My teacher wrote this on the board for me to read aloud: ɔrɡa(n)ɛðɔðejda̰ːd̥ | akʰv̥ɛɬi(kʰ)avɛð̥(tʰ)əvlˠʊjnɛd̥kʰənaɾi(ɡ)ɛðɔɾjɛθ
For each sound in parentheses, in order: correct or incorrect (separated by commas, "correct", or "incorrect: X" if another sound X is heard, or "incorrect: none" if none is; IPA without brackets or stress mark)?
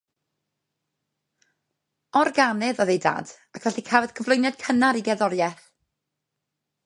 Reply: correct, correct, incorrect: kʰ, correct